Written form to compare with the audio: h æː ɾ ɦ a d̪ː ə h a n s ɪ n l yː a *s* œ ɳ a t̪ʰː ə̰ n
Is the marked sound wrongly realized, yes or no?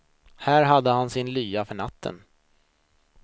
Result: yes